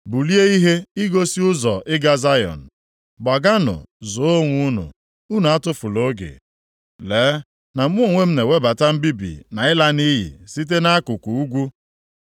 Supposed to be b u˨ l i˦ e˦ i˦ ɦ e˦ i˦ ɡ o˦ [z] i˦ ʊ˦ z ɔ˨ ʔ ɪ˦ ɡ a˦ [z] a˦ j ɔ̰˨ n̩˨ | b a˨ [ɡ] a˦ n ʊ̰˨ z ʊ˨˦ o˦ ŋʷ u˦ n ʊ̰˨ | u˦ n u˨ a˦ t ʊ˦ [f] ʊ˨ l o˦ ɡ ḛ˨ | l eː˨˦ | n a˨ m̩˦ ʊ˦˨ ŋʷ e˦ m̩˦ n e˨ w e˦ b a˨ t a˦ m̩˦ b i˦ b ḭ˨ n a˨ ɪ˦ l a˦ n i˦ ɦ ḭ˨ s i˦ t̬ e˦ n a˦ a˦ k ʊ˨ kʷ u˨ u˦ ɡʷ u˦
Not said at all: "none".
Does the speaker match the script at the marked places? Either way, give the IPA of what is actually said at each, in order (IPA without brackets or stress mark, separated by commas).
s, z, ɡ, f